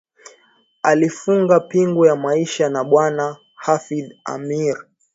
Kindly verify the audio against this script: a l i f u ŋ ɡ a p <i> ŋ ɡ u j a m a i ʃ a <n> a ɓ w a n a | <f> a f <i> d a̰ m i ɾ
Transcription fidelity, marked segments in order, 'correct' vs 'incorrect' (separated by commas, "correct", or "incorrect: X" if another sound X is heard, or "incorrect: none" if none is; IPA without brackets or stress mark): correct, correct, incorrect: h, correct